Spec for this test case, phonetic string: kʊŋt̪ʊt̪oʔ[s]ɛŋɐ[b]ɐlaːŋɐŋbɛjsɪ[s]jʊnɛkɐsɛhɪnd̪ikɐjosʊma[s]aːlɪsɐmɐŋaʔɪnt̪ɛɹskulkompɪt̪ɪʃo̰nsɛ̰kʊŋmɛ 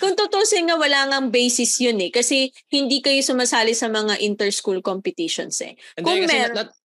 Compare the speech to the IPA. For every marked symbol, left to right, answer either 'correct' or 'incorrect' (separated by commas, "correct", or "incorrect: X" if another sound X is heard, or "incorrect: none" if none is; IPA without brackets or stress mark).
correct, incorrect: w, correct, correct